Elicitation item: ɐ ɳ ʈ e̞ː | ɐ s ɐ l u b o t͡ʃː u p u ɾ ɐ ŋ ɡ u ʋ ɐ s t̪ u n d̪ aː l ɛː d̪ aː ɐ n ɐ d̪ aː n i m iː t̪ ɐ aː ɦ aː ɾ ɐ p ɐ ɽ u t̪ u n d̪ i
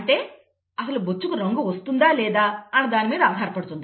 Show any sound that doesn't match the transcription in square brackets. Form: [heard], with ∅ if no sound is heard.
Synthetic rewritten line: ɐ ɳ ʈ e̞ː | ɐ s ɐ l u b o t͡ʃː u [k] u ɾ ɐ ŋ ɡ u ʋ ɐ s t̪ u n d̪ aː l ɛː d̪ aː ɐ n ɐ d̪ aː n i m iː [d̪] ɐ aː ɦ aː ɾ ɐ p ɐ ɽ u t̪ u n d̪ i